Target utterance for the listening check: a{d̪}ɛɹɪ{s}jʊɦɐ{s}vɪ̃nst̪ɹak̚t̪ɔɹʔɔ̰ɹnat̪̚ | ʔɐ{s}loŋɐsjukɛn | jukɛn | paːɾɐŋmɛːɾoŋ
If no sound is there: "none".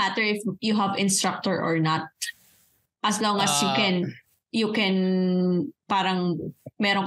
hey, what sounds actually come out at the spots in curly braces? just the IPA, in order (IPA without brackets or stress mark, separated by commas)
t̪, f, none, s